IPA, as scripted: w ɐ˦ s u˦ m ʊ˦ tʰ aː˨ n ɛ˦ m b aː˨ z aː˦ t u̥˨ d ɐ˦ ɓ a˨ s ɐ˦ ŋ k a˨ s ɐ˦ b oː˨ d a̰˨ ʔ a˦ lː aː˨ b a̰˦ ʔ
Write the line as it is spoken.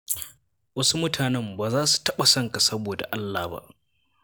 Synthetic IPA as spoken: w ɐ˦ s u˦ m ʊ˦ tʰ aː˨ n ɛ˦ m b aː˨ z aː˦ s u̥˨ t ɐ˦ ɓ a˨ s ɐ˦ ŋ k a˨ s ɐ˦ b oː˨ d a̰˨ ʔ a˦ lː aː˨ b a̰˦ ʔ